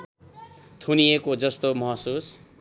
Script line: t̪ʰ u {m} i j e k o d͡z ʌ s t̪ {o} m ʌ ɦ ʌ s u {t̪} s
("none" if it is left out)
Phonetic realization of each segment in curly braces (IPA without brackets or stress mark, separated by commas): n, o, none